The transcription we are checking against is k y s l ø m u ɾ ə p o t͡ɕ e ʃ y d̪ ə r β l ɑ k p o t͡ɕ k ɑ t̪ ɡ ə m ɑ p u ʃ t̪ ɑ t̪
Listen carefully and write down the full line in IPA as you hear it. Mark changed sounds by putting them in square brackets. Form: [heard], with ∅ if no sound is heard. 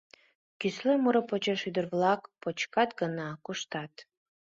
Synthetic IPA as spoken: k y s l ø m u ɾ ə p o t͡ɕ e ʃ y d̪ ə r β l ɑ k p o t͡ɕ k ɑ t̪ ɡ ə [n] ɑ [k] u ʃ t̪ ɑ t̪